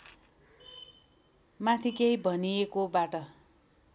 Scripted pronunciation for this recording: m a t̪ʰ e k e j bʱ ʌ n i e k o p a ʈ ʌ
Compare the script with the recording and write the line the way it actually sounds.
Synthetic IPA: m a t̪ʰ i k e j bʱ ʌ n i e k o b a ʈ ʌ